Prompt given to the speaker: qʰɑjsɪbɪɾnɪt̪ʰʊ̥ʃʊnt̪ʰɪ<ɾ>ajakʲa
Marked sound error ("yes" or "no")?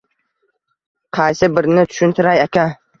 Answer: no